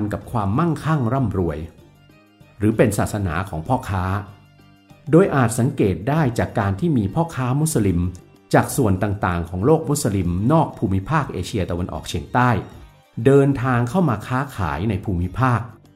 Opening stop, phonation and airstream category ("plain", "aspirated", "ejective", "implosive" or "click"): plain